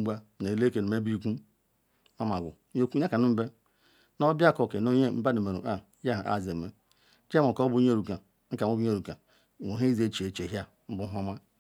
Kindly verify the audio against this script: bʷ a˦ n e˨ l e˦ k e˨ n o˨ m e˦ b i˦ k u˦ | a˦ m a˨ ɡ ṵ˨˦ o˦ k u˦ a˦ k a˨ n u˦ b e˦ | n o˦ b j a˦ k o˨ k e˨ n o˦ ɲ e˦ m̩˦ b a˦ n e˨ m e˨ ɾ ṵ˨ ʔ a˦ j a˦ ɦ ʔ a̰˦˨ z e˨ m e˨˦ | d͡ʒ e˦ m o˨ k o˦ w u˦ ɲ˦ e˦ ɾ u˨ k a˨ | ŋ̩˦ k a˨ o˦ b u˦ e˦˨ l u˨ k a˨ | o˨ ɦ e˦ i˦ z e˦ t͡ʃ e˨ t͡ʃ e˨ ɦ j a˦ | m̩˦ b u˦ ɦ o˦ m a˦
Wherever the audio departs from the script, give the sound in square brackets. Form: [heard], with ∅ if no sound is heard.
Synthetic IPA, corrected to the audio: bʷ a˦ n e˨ l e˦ k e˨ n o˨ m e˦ b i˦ k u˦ | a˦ m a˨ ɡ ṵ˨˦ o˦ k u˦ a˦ k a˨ n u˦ b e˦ | n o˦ b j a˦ k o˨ k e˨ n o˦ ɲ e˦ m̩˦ b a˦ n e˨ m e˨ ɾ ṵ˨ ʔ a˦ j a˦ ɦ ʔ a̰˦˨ z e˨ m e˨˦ | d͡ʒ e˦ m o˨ k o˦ [b] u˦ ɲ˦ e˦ ɾ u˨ k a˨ | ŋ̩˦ k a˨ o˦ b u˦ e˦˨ [ɾ] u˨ k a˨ | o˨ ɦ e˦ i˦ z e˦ t͡ʃ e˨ t͡ʃ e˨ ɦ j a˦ | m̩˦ b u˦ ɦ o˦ m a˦